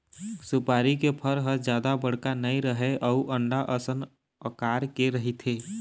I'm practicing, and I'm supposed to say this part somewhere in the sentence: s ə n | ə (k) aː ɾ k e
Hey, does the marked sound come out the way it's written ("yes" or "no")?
yes